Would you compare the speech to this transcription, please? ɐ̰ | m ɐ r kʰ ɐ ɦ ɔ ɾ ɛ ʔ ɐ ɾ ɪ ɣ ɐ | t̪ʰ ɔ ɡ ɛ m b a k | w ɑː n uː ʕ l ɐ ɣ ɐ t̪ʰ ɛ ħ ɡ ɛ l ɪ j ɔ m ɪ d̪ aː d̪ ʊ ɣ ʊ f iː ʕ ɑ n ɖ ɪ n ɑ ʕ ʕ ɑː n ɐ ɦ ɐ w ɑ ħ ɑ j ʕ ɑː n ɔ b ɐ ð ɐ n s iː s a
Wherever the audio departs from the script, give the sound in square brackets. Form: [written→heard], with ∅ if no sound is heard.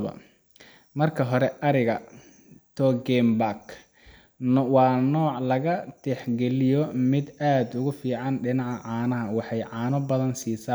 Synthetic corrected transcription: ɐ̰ | m ɐ r kʰ ɐ ɦ ɔ ɾ ɛ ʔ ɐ ɾ ɪ ɣ ɐ | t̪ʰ ɔ ɡ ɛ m b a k | w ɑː n [uː→ɔː] ʕ l ɐ ɣ ɐ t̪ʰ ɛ ħ ɡ ɛ l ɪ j ɔ m ɪ d̪ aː d̪ ʊ ɣ ʊ f iː ʕ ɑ n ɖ ɪ n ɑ ʕ ʕ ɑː n ɐ ɦ ɐ w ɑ ħ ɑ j ʕ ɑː n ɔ b ɐ ð ɐ n s iː s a